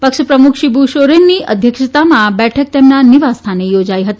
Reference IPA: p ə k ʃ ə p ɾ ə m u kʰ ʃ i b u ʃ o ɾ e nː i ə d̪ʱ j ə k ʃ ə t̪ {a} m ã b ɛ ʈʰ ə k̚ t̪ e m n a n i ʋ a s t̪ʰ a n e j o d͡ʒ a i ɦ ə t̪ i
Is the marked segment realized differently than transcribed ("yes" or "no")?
no